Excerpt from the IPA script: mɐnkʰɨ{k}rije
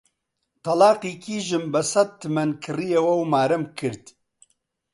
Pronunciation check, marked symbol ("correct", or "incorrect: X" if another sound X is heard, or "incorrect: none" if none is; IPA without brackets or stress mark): incorrect: none